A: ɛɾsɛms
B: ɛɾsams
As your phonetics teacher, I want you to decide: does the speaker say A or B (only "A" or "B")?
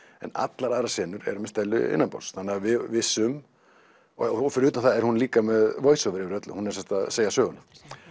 A